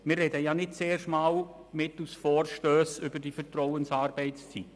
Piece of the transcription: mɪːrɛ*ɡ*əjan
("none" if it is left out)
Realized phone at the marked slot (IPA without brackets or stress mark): d